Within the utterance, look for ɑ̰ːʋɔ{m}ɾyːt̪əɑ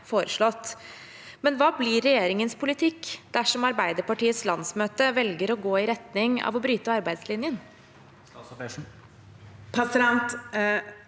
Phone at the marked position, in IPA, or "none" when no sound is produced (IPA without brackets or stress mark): b